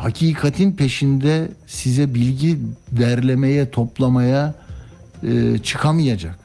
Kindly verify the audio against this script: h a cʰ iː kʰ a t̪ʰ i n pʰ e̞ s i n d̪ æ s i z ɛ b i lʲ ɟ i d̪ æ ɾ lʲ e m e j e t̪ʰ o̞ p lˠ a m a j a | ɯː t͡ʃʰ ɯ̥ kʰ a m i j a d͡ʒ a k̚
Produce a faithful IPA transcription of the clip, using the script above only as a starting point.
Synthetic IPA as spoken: h a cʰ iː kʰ a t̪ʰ i n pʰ e̞ ʃ i n d̪ ɛ s i z ɛ b i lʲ ɟ i d̪ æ ɾ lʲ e m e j ɛ t̪ʰ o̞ p lˠ a m a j a | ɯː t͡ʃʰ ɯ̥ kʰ a m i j a d͡ʒ a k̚